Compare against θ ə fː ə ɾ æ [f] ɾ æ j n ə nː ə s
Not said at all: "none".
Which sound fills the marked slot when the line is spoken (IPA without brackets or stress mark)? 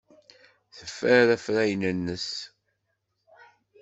f